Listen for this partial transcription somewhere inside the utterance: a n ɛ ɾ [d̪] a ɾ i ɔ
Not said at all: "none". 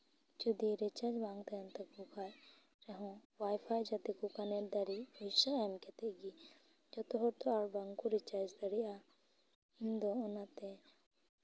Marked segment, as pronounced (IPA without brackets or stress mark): d̪